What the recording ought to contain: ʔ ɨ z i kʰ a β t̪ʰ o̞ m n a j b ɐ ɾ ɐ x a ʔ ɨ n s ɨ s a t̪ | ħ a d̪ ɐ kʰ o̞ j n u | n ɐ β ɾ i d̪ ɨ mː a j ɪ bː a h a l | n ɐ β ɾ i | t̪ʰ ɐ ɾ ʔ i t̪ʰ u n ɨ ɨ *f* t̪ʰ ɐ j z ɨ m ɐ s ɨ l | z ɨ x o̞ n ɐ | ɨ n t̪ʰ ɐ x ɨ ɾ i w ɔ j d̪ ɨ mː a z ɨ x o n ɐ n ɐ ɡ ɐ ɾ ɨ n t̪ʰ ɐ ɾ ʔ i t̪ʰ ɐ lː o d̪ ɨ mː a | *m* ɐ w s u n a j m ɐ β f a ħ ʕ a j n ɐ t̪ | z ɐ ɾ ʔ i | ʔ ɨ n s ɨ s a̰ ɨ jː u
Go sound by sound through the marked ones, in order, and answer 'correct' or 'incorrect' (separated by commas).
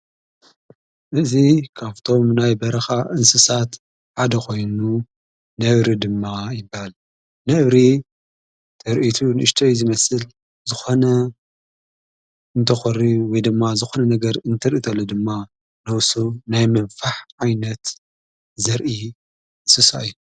incorrect, incorrect